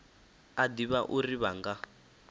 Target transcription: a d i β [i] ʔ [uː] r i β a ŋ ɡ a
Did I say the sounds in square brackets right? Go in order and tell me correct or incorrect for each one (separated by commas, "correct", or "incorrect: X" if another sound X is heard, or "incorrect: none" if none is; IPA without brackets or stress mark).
incorrect: a, incorrect: u